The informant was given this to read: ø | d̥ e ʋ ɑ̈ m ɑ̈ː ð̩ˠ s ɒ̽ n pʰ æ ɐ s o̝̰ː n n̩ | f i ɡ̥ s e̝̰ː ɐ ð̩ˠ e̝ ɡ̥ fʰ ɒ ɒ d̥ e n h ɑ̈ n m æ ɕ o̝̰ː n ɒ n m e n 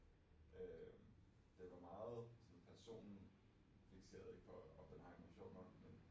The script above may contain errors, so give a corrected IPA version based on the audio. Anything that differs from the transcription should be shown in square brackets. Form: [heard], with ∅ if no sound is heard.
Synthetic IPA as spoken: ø | d̥ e ʋ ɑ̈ m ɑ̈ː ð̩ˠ s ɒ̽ n pʰ æ ɐ s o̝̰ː n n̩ | f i ɡ̥ s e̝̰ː ɐ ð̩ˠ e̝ ɡ̥ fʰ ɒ ɒ d̥ e n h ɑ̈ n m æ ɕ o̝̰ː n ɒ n m e n